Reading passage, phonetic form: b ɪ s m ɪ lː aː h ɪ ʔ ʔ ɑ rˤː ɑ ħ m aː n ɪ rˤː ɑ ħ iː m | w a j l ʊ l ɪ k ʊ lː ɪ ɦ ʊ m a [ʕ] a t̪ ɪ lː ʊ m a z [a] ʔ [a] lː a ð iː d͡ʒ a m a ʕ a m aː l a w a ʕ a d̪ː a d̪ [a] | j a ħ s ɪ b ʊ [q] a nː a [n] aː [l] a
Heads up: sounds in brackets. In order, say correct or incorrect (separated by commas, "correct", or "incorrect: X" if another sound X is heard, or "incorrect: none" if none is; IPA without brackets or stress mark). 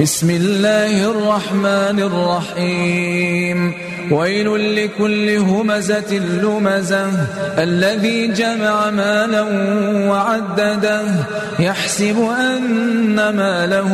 incorrect: z, correct, correct, correct, incorrect: ʔ, incorrect: m, correct